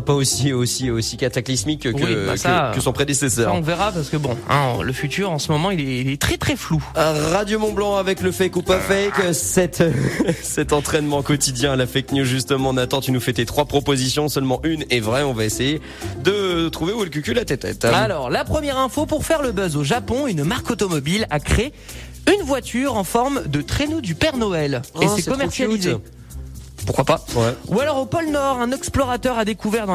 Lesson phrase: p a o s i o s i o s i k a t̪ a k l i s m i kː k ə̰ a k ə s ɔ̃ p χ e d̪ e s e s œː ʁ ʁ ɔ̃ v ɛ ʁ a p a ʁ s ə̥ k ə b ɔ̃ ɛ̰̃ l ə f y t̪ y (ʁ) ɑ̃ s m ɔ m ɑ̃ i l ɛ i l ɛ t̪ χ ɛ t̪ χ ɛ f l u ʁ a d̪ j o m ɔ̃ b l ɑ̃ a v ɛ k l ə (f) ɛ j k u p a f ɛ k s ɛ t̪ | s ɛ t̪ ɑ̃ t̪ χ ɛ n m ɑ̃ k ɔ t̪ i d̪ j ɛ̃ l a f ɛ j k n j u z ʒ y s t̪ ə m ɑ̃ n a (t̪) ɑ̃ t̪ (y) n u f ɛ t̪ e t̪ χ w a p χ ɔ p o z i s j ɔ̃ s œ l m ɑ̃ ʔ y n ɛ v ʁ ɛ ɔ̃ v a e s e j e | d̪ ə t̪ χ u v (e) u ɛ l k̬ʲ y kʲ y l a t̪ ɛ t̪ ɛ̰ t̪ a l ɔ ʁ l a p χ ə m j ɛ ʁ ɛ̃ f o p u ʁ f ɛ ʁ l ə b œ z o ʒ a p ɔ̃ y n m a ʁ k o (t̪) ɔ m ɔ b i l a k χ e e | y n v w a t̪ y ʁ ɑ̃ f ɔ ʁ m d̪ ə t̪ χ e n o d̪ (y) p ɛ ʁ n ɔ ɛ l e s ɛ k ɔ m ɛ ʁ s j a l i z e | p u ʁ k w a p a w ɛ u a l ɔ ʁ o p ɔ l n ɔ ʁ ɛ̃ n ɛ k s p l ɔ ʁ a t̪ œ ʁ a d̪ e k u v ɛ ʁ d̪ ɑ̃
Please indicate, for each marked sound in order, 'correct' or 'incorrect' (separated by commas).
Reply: correct, correct, correct, correct, correct, correct, correct